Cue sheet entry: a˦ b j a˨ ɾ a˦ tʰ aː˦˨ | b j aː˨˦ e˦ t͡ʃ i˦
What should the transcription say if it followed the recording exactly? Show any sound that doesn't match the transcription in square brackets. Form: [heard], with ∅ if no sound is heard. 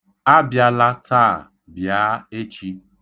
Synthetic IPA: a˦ b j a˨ [l] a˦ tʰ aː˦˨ | b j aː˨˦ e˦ t͡ʃ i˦